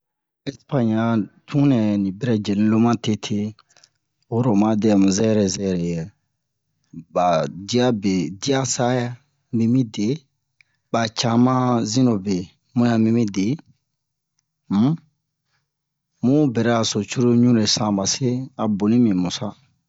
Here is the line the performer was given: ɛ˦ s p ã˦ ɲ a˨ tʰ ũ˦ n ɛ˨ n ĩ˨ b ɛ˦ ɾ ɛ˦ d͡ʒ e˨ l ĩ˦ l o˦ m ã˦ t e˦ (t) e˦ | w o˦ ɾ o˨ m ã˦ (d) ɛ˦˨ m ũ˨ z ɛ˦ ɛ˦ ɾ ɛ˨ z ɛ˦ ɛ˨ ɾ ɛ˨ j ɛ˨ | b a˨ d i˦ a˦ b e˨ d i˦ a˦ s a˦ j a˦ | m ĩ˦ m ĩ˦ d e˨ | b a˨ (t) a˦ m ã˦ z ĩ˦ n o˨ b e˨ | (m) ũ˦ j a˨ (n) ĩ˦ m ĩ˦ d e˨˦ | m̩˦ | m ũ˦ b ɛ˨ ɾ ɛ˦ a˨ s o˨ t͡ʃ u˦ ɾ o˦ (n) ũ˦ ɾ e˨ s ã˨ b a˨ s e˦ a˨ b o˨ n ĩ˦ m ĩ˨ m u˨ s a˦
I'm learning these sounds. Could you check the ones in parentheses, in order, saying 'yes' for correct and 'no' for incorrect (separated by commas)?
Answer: no, yes, no, yes, no, no